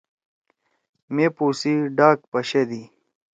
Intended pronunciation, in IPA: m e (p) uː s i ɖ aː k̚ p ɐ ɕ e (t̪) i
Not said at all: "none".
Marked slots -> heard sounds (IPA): p, d̪

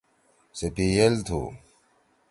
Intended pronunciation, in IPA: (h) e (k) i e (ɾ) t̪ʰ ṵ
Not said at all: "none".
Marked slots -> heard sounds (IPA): s, p, l

